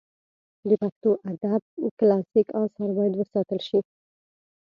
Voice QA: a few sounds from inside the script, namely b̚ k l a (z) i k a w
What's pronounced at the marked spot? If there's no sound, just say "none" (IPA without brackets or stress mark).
s